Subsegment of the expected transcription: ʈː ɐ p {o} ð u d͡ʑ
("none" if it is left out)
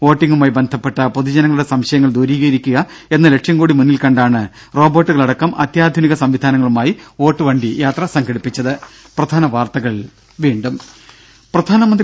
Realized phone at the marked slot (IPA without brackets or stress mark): o